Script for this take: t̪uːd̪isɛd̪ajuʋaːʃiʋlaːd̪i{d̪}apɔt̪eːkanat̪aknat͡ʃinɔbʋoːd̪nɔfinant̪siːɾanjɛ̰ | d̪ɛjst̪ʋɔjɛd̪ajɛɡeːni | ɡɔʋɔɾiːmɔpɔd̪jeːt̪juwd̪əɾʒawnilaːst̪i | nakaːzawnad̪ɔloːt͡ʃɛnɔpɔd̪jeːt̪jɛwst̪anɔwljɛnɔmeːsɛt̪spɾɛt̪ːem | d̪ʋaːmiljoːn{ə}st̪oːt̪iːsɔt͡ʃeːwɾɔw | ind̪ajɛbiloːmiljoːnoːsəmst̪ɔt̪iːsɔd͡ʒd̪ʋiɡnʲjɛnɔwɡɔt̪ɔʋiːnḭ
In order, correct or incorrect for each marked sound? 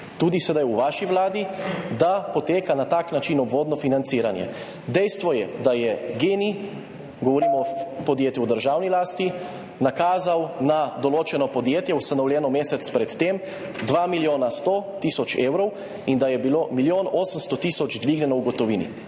correct, incorrect

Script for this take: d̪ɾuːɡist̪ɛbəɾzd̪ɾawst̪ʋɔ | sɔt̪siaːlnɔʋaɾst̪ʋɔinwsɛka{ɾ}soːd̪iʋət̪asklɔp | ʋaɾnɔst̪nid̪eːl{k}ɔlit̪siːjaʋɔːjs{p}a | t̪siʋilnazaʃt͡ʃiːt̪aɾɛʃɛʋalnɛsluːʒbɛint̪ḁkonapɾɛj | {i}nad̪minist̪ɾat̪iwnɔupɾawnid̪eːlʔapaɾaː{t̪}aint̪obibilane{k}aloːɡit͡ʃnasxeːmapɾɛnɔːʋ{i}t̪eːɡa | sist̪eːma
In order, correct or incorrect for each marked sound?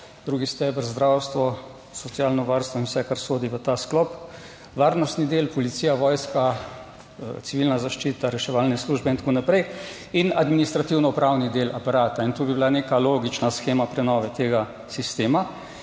correct, incorrect, incorrect, correct, correct, correct, incorrect

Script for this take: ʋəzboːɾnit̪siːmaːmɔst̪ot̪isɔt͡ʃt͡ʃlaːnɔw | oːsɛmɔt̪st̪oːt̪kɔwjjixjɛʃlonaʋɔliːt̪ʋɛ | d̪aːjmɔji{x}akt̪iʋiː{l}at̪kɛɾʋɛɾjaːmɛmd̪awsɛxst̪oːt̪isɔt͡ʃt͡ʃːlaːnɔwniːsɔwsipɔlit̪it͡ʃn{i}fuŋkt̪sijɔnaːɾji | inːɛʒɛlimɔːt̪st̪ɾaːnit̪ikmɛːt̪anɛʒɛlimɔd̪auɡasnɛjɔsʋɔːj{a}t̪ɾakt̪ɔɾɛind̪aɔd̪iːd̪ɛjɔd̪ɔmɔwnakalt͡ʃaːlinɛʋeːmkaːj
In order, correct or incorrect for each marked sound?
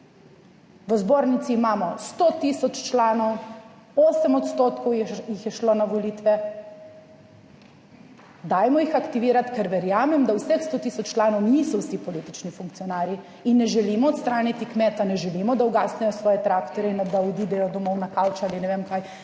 correct, incorrect, correct, incorrect

